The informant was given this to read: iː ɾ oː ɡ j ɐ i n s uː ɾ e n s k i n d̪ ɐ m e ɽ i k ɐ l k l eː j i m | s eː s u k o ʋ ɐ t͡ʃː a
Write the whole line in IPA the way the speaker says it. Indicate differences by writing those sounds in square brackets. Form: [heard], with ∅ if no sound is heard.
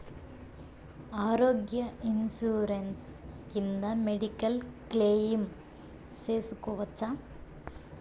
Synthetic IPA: [aː] ɾ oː ɡ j ɐ i n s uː ɾ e n s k i n d̪ ɐ m e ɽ i k ɐ l k l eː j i m | s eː s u k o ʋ ɐ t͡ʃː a